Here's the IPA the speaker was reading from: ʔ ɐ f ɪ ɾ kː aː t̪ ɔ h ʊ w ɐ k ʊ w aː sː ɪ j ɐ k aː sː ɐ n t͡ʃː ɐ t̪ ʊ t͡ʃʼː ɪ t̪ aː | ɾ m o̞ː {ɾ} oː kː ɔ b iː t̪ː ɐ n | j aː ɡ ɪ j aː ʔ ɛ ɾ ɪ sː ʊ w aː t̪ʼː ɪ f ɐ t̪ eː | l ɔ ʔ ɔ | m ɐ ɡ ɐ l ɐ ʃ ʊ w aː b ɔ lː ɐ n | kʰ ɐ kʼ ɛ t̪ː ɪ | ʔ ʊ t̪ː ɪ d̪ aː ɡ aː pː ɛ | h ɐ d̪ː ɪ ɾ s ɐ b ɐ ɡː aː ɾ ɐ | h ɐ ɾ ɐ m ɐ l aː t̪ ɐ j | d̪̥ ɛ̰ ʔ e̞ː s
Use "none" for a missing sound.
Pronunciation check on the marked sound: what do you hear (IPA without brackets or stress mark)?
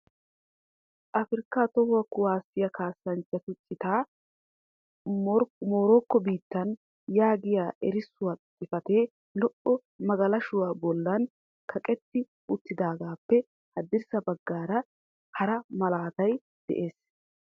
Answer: ɾ